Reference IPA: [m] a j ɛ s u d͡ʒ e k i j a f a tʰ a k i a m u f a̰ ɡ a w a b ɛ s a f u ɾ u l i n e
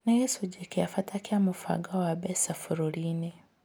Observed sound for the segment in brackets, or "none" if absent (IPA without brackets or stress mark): n